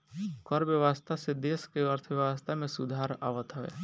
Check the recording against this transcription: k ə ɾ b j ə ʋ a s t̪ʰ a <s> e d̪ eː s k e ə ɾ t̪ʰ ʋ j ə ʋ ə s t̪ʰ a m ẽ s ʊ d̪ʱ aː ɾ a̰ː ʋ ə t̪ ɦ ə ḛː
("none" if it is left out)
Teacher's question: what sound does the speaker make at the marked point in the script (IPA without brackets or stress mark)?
s